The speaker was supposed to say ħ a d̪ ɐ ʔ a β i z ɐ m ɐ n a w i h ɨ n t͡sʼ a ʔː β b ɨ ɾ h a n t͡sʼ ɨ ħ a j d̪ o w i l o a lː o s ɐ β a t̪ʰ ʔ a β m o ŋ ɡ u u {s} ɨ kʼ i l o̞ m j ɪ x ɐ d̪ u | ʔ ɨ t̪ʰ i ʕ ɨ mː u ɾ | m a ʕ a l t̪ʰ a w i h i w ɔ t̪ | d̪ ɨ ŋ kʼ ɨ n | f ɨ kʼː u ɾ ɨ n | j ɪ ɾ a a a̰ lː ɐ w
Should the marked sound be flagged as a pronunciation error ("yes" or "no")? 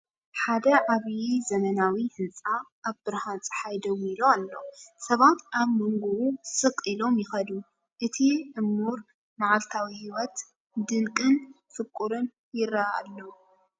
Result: no